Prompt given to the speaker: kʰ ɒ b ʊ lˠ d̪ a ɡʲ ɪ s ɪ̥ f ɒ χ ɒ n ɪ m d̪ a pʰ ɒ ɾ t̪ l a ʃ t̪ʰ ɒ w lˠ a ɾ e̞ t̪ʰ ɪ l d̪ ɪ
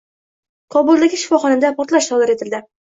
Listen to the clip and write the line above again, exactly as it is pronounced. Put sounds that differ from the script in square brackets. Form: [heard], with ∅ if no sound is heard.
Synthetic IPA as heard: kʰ ɒ b ʊ lˠ d̪ a ɡʲ ɪ [ʃ] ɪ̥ f ɒ χ ɒ n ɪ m d̪ a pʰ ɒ ɾ t̪ l a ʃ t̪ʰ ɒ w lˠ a ɾ e̞ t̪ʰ ɪ l d̪ ɪ